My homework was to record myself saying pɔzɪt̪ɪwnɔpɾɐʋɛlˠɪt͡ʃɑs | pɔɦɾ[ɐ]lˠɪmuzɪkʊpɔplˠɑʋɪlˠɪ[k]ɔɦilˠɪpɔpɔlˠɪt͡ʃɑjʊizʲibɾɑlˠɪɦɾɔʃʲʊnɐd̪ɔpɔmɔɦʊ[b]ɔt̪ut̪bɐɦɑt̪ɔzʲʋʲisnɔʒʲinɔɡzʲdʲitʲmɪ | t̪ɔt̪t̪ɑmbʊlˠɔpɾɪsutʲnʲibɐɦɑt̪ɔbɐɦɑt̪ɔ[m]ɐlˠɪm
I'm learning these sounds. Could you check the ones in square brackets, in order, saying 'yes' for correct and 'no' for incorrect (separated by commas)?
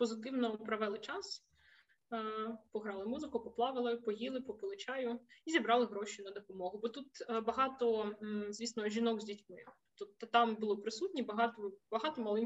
no, no, yes, yes